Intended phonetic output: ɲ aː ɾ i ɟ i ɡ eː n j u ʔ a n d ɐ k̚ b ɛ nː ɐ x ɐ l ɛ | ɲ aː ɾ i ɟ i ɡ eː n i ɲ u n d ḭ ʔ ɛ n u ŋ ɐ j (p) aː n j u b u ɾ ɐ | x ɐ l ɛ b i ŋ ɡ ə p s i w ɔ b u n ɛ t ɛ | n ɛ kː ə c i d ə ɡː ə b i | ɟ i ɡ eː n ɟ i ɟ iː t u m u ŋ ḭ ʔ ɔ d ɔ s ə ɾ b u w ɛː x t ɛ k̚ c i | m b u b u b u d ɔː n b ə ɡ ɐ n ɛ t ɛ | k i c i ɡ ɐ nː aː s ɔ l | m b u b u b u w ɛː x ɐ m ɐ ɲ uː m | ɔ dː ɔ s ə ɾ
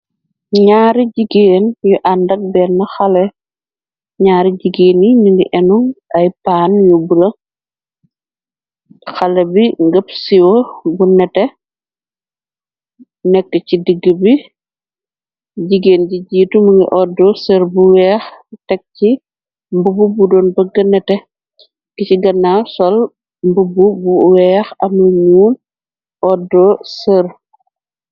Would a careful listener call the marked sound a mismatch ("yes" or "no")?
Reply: no